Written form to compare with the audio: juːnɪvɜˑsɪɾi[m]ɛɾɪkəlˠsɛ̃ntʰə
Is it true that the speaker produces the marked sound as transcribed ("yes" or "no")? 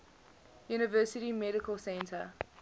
yes